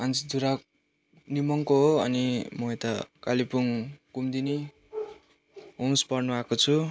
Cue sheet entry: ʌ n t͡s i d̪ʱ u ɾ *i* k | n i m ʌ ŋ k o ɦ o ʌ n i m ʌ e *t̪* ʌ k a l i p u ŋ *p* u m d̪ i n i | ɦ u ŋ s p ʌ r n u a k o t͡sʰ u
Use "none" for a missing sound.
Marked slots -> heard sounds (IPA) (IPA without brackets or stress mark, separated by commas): a, t̪, k